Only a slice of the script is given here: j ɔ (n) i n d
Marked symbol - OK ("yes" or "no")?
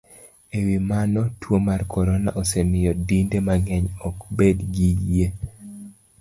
no